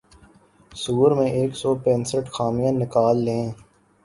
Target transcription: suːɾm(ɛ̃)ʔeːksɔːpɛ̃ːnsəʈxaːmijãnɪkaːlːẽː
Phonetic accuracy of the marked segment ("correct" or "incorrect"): incorrect